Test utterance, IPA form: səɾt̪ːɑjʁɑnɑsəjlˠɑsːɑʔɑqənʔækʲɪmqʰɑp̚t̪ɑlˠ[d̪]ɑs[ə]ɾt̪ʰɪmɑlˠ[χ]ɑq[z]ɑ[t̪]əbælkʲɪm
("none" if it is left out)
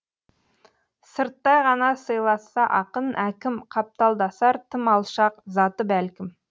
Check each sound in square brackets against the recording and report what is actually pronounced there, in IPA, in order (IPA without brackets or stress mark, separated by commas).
d̪, ɑ, ʃ, z, t̪